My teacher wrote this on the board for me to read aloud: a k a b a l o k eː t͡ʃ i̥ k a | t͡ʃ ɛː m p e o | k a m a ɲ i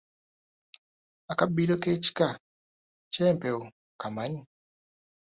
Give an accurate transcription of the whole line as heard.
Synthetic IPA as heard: a k a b i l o k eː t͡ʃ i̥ k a | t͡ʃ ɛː m p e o | k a m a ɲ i